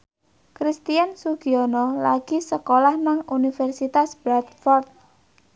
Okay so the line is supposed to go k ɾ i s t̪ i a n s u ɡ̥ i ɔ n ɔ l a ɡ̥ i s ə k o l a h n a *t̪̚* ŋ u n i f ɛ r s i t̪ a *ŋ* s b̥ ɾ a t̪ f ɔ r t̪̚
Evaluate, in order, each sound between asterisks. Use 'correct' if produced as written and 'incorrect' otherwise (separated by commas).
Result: incorrect, incorrect